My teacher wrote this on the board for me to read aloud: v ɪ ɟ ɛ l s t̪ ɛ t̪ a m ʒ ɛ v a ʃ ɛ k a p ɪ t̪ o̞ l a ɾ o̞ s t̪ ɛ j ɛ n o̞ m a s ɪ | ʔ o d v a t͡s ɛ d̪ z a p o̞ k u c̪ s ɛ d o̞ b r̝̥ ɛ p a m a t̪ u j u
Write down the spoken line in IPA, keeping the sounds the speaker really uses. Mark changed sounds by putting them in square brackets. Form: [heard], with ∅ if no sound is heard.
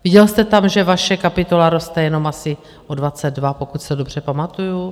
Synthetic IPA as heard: v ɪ ɟ ɛ l s t̪ ɛ t̪ a m ʒ ɛ v a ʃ ɛ k a p ɪ t̪ o̞ l a ɾ o̞ s t̪ ɛ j ɛ n o̞ m a s ɪ | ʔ o d v a t͡s ɛ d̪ [v] a p o̞ k u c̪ s ɛ d o̞ b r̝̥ ɛ p a m a t̪ u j u